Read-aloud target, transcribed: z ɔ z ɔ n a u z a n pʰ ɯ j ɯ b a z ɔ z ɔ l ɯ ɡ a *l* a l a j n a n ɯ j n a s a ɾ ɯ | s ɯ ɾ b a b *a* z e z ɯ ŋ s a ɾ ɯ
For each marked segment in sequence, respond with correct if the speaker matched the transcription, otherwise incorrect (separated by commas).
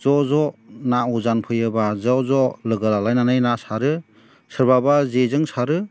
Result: correct, correct